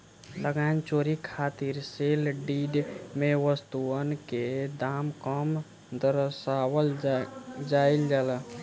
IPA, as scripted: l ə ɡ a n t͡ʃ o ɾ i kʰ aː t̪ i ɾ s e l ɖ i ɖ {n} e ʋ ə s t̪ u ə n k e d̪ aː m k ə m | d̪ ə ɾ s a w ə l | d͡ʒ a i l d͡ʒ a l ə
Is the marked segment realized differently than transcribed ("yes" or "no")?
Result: yes